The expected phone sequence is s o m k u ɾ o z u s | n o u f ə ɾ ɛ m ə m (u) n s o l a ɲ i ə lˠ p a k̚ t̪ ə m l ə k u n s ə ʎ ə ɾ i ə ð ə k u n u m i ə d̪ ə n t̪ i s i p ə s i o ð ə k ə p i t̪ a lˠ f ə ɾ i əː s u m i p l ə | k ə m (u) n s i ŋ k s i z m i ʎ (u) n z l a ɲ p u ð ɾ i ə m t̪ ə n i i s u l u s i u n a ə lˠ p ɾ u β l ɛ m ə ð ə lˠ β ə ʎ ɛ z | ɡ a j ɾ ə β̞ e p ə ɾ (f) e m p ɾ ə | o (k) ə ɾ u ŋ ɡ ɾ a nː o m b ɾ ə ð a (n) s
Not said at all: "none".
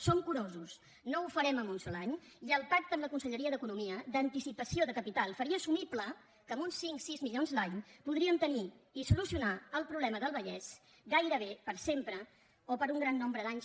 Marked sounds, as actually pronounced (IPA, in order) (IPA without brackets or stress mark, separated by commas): u, u, o, s, p, ɲ